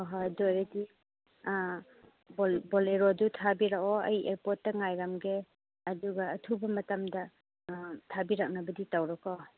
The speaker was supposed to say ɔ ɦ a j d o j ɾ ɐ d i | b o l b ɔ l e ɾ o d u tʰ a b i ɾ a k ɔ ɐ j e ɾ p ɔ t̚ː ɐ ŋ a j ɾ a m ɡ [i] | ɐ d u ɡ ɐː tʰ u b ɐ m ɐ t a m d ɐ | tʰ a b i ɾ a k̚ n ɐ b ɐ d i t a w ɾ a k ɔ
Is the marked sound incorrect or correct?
incorrect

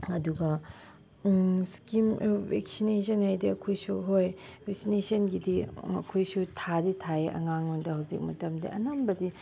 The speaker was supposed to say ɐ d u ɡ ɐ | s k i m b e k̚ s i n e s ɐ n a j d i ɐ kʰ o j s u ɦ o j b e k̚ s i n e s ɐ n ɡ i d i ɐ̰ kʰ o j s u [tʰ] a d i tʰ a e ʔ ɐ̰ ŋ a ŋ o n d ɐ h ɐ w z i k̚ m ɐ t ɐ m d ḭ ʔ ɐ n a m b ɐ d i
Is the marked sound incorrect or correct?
correct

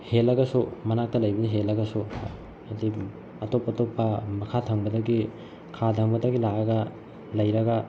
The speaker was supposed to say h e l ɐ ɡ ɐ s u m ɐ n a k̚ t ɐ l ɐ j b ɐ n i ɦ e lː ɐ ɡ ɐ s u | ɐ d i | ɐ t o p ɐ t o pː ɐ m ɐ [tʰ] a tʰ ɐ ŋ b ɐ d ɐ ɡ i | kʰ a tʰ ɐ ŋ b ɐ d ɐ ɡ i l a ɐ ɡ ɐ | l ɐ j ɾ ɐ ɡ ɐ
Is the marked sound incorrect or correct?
incorrect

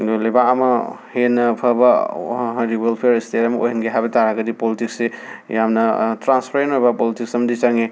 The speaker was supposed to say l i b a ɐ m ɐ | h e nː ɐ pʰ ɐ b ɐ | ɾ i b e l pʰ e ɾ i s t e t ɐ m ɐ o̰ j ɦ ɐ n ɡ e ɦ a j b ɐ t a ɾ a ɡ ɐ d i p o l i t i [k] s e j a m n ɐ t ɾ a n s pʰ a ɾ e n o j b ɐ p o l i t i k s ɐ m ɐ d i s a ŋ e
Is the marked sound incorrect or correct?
correct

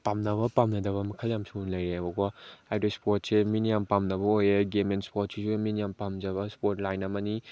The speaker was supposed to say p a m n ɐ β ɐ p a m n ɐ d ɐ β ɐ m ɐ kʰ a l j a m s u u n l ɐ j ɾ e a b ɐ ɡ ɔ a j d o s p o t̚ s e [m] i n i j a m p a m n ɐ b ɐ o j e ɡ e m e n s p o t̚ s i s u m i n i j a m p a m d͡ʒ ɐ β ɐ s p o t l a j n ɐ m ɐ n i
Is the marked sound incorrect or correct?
correct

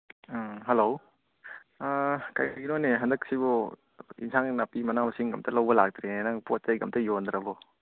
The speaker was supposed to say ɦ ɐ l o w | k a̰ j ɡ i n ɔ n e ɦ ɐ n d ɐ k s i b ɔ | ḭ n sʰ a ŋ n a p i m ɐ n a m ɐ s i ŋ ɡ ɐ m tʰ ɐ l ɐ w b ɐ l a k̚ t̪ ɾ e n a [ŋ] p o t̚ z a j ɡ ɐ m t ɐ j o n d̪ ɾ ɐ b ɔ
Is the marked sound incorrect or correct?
correct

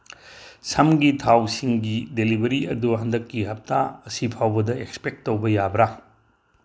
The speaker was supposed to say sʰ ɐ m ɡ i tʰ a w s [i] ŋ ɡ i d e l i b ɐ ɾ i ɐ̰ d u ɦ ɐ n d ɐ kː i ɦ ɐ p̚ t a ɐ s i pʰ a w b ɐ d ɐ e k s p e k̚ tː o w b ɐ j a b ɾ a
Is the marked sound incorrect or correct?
correct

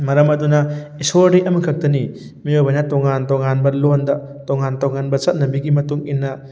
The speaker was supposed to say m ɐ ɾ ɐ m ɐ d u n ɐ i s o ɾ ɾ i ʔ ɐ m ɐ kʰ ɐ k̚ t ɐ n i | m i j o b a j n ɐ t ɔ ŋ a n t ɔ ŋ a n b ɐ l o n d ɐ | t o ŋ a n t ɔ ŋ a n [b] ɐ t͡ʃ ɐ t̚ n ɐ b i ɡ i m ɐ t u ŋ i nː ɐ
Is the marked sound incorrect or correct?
correct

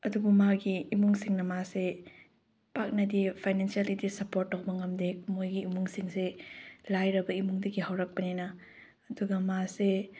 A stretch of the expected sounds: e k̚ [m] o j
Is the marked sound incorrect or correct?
correct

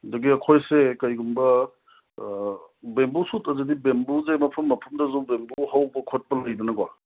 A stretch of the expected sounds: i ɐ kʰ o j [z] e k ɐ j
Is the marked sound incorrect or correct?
incorrect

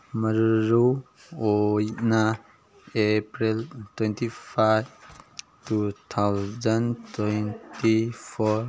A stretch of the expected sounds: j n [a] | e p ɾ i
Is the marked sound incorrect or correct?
correct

